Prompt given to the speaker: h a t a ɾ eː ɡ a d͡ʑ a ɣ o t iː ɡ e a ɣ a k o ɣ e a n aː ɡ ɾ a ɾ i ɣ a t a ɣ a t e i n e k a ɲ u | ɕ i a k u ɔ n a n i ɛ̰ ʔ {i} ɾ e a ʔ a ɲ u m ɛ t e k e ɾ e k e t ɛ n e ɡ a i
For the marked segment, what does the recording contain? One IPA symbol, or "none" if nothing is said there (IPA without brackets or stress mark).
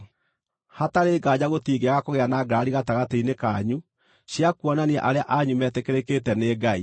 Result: a